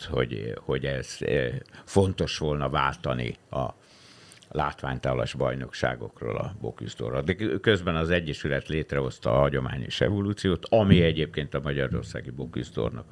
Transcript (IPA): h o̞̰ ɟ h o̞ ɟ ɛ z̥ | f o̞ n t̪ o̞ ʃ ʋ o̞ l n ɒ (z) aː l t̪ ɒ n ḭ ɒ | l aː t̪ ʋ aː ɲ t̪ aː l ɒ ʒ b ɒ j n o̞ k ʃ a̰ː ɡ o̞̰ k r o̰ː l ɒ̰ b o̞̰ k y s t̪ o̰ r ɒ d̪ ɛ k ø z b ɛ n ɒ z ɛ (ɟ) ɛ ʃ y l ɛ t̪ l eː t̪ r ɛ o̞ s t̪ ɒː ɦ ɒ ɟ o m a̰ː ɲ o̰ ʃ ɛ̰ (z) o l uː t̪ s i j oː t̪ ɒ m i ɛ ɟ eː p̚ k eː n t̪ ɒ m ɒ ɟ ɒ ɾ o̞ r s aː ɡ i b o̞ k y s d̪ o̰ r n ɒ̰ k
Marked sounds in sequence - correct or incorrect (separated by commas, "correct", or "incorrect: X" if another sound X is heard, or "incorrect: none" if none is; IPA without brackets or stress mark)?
incorrect: v, incorrect: ɟː, incorrect: v